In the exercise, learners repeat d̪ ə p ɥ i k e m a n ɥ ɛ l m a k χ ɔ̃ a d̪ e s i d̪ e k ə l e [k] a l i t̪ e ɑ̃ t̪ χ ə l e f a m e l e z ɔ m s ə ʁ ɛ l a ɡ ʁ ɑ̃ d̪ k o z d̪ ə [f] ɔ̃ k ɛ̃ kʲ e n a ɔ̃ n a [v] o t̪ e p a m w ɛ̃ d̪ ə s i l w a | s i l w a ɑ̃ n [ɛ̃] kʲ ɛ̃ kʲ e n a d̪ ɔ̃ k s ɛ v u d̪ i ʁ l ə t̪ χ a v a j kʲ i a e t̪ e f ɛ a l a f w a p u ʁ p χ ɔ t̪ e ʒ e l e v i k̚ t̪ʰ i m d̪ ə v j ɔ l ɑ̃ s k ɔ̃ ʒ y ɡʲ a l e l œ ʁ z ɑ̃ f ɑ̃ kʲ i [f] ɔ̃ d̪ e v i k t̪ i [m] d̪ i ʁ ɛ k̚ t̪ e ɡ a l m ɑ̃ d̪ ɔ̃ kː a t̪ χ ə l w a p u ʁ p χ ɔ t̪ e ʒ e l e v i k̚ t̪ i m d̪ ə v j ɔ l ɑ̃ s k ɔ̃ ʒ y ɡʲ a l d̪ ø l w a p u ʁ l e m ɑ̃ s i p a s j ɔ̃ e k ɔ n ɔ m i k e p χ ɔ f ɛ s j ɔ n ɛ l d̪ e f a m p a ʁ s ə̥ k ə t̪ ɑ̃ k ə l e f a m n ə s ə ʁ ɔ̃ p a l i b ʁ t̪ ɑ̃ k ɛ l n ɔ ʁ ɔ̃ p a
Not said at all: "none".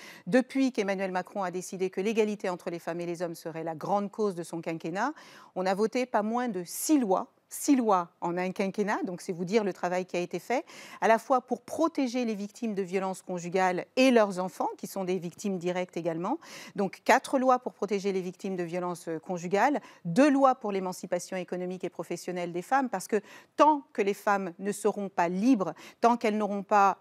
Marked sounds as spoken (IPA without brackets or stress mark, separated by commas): ɡ, s, v, ɛ̃, s, m